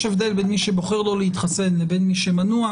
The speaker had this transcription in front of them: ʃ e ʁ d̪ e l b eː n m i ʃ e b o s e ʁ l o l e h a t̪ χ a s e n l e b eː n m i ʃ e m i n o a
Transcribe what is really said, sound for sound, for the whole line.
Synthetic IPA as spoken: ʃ e v d̪ e l b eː n m i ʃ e b o χ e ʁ l o l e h i t̪ χ a s e n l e b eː n m i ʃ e m a n u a